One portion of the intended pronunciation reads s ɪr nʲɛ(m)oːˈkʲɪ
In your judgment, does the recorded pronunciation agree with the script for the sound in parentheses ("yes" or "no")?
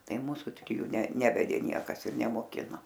yes